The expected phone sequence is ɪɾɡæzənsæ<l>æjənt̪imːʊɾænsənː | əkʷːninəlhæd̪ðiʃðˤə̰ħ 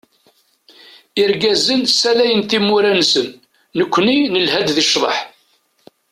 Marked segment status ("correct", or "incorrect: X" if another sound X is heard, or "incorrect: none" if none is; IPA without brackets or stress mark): correct